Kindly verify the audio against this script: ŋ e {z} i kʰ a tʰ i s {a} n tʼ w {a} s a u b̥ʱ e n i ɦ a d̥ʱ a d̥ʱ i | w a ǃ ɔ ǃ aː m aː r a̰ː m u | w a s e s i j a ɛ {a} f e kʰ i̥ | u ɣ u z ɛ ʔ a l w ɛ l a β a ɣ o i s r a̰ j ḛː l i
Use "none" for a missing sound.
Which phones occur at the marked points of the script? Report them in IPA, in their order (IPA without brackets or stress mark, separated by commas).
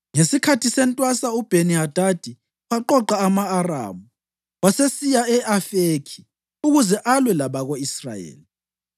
s, ɛ, a, a